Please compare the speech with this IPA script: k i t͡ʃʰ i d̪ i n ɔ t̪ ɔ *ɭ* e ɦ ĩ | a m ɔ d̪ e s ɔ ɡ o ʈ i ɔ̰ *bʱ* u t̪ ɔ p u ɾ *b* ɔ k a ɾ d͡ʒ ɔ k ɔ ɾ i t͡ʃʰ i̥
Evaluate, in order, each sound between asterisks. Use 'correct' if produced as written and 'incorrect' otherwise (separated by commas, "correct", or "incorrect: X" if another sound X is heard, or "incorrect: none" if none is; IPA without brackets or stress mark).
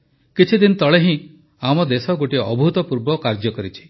correct, correct, correct